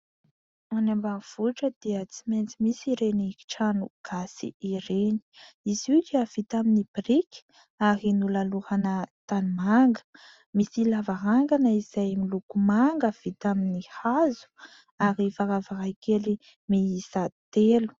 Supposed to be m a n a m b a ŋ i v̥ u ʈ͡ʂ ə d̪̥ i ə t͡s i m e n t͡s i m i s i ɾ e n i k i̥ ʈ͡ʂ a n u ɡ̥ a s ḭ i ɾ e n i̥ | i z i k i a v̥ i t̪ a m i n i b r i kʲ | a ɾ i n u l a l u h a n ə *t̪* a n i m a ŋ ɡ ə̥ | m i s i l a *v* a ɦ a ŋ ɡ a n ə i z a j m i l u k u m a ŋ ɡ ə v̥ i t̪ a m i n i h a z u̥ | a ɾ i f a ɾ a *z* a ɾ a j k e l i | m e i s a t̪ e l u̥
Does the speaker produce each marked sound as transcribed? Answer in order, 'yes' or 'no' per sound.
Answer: yes, yes, no

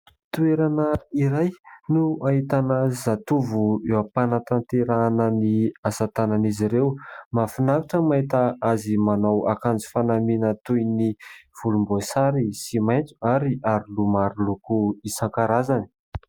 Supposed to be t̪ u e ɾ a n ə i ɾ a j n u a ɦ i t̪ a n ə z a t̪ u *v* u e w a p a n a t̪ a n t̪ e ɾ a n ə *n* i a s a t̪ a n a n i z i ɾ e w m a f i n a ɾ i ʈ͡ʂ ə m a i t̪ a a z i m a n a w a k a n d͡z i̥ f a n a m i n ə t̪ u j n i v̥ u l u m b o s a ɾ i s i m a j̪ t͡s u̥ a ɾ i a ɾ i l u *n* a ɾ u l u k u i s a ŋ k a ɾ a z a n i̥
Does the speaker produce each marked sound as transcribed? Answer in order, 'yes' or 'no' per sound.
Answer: yes, yes, no

